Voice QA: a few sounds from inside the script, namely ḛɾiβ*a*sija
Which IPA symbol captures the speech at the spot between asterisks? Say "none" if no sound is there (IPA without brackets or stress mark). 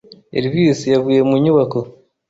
i